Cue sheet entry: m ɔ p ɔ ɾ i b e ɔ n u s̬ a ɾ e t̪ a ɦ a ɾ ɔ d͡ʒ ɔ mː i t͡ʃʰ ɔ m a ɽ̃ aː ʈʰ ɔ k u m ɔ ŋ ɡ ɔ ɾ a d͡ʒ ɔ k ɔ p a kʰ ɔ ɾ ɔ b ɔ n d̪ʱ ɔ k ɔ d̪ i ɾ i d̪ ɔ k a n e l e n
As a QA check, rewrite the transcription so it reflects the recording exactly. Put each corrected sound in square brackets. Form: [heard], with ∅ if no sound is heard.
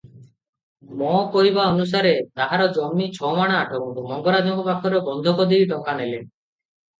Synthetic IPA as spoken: m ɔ [k] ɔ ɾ i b [a] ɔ n u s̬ a ɾ e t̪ a ɦ a ɾ ɔ d͡ʒ ɔ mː i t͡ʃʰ ɔ m a ɽ̃ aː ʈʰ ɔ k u m ɔ ŋ ɡ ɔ ɾ a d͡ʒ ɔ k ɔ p a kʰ ɔ ɾ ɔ b ɔ n d̪ʱ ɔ k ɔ d̪ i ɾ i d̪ ɔ k a n e l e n